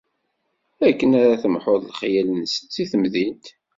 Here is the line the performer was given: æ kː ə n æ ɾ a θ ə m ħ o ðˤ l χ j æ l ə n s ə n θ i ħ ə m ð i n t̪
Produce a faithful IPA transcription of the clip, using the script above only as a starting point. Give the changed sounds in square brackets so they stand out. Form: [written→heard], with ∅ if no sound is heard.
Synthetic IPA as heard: æ kː ə n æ ɾ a θ ə m ħ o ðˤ l χ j æ l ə n s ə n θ i [ħ→θ] ə m ð i n t̪